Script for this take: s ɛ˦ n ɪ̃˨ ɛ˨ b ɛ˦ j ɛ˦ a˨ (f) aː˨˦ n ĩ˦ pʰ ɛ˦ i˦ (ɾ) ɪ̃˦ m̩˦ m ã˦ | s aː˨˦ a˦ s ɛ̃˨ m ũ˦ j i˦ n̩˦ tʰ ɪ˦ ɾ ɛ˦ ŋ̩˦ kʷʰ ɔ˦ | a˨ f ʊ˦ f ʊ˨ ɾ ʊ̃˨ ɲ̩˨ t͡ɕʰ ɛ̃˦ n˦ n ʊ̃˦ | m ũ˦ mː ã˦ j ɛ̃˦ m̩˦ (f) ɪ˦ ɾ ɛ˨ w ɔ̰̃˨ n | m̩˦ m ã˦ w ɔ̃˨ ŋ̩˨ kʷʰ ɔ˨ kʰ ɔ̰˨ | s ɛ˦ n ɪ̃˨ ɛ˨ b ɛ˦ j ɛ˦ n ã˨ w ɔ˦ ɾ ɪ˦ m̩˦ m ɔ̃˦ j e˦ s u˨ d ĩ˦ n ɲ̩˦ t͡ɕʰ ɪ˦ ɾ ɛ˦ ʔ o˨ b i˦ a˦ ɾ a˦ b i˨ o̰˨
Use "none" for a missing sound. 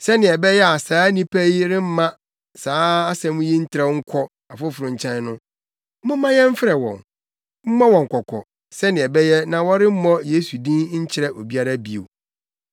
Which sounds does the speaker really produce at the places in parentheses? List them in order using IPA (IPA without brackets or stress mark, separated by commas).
s, ɾ, f